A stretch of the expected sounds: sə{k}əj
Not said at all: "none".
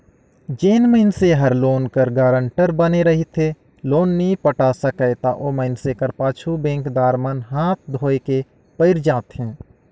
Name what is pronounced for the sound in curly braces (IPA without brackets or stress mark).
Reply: k